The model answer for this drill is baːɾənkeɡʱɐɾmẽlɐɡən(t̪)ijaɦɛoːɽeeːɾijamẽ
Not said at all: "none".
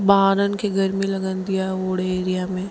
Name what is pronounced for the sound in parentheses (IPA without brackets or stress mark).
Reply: d̪